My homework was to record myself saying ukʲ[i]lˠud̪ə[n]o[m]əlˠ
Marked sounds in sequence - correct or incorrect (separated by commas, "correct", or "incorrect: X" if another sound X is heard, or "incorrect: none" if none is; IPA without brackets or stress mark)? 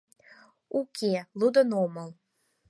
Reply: incorrect: e, correct, correct